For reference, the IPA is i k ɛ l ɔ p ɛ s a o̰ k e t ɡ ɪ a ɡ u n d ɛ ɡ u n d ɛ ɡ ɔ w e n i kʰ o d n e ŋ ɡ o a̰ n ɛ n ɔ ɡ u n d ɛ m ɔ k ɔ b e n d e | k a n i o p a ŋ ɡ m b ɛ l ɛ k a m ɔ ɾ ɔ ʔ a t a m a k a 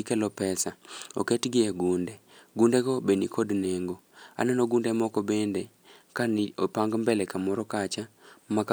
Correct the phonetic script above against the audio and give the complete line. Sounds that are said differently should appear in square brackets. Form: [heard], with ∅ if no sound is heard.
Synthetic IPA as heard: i k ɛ l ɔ p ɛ s a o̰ k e t ɡ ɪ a ɡ u n d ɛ ɡ u n d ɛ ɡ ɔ [b] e n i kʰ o d n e ŋ ɡ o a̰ n ɛ n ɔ ɡ u n d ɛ m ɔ k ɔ b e n d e | k a n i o p a ŋ ɡ m b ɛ l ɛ k a m ɔ ɾ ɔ [k] a [t͡ʃ] a m a k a

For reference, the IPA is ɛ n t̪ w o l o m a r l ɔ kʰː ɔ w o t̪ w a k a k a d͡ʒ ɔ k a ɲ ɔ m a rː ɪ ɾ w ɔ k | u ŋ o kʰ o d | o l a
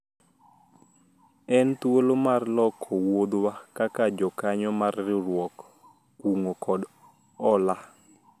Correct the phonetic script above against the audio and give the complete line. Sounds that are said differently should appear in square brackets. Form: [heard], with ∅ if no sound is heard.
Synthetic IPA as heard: ɛ n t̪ w o l o m a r l ɔ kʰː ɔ w o [d̪] w a k a k a d͡ʒ ɔ k a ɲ ɔ m a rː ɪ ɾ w ɔ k | u ŋ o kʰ [ɔ] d | [ɔ] l a

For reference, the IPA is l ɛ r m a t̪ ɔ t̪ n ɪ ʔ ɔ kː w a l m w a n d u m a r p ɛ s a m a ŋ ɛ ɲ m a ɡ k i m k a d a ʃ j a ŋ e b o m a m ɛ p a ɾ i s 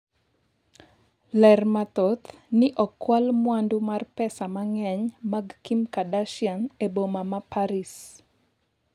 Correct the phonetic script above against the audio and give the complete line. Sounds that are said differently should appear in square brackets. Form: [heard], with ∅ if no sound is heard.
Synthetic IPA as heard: l ɛ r m a t̪ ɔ t̪ n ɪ ʔ ɔ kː w a l m w a n d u m a r p ɛ s a m a ŋ ɛ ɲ m a ɡ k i m k a d a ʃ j a ŋ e b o m a m [a] p a ɾ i s

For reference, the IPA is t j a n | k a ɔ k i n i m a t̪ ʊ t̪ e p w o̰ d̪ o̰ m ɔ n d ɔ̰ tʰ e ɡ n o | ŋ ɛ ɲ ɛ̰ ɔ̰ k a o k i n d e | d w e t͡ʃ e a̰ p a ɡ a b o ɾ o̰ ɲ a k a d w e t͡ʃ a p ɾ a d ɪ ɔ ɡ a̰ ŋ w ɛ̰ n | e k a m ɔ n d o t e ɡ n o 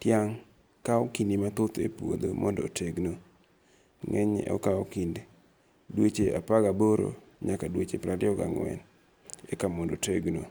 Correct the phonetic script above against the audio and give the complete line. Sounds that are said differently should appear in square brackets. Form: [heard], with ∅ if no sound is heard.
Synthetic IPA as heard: t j a [ŋ] | k a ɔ k i n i m a t̪ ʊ t̪ e p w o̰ d̪ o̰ m ɔ n d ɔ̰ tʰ e ɡ n o | ŋ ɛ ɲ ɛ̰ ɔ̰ k a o k i n d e | d w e t͡ʃ e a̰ p a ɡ a b o ɾ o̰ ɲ a k a d w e t͡ʃ [e] p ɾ a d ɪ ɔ ɡ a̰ ŋ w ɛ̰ n | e k a m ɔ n d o t e ɡ n o

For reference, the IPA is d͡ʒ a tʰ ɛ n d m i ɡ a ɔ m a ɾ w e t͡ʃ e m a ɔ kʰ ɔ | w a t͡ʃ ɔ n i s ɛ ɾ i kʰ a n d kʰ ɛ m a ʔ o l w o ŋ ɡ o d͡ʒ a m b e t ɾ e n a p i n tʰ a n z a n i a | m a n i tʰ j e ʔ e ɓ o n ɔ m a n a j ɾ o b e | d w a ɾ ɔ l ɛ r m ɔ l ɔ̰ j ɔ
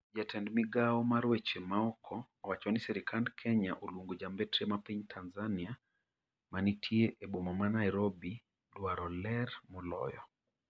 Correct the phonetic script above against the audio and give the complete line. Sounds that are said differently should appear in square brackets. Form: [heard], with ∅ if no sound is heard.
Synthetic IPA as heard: d͡ʒ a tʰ ɛ n d m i ɡ a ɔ m a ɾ w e t͡ʃ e m a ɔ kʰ ɔ | w a t͡ʃ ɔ n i s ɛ ɾ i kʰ a n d kʰ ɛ [ɲ] a ʔ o l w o ŋ ɡ o d͡ʒ a m b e t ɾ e [m] a p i [ɲ] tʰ a n z a n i a | m a n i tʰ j e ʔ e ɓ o [m] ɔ m a n a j ɾ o b [i] | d w a ɾ ɔ l ɛ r m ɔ l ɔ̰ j ɔ

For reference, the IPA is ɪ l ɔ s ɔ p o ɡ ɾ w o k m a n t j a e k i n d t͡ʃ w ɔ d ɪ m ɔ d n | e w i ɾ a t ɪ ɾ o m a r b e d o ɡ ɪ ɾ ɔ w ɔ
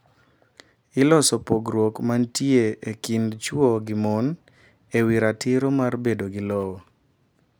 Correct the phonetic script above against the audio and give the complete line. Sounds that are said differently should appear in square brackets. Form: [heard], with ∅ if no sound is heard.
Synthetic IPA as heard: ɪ l ɔ s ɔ p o ɡ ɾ w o k m a n t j [e] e k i n d t͡ʃ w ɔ [ɡ] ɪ m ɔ [∅] n | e w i ɾ a t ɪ ɾ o m a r b e d o ɡ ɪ [l] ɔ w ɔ

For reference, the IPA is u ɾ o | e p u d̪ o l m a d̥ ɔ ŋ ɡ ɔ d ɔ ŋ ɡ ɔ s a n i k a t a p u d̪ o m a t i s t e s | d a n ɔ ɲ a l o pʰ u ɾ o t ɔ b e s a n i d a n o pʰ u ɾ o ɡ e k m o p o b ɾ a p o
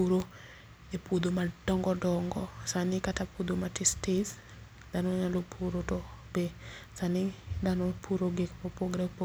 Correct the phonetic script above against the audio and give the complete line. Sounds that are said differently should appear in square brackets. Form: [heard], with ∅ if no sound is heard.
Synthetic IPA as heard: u ɾ o | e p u d̪ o [∅] m a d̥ ɔ ŋ ɡ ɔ d ɔ ŋ ɡ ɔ s a n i k a t a p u d̪ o m a t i s t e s | d a n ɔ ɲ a l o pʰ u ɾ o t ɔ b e s a n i d a n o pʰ u ɾ o ɡ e k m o p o [ɡ] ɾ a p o

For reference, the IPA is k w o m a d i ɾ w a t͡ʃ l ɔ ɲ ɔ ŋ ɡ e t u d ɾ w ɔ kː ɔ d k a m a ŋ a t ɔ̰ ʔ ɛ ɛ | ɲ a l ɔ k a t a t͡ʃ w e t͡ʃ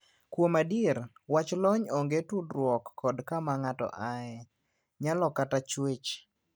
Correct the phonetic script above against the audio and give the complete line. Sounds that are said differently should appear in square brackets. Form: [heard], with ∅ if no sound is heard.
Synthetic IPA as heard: k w o m a d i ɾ w a t͡ʃ l ɔ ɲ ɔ ŋ ɡ e t u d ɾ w ɔ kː ɔ d k a m a ŋ a t ɔ̰ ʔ [a] ɛ | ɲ a l ɔ k a t a t͡ʃ w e t͡ʃ

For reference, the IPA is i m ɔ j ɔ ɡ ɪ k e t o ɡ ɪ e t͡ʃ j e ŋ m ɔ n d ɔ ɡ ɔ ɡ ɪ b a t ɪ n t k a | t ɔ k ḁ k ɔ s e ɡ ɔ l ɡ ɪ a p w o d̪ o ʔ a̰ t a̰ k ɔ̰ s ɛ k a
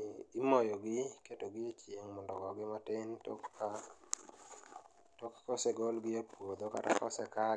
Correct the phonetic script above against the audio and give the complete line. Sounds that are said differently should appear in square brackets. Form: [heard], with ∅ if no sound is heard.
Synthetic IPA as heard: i m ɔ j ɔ ɡ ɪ k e t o ɡ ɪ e t͡ʃ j e ŋ m ɔ n d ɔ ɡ ɔ ɡ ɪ [m] a t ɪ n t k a | t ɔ k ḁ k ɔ s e ɡ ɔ l ɡ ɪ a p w o d̪ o [k] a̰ t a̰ k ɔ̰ s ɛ k a

